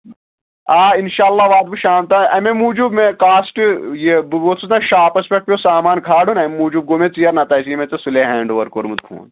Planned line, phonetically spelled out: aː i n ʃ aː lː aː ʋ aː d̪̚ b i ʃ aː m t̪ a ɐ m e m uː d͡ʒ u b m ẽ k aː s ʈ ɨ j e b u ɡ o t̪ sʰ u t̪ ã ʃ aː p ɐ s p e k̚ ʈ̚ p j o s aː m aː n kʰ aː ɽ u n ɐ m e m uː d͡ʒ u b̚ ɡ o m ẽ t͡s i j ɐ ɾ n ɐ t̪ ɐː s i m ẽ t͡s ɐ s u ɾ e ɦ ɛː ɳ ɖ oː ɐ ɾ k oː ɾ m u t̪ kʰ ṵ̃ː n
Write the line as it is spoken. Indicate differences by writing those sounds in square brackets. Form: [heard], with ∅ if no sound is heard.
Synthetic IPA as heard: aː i n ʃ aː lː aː ʋ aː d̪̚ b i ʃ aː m t̪ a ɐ m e m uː d͡ʒ u b m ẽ k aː s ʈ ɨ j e b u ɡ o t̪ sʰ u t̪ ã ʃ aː p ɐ s p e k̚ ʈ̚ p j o s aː m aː n kʰ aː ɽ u n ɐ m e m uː d͡ʒ u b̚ ɡ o m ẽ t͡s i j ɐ ɾ n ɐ t̪ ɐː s i m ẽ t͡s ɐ s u [l] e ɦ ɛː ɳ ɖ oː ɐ ɾ k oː ɾ m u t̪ kʰ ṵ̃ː n